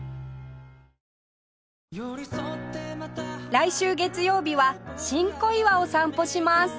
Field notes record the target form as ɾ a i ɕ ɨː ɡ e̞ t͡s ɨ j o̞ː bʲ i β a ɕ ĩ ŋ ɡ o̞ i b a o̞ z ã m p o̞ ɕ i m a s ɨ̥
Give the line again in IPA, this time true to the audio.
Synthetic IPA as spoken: ɾ a i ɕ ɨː ɡ e̞ t͡s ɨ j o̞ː bʲ i β a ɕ ĩ ŋ k o̞ i β a o̞ s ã m p o̞ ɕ i m a s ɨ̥